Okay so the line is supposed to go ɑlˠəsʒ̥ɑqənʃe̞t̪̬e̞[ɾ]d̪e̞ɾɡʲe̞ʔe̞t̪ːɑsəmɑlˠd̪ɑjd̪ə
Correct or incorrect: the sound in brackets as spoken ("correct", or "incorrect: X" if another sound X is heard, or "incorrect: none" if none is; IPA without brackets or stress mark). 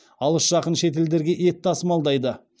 incorrect: l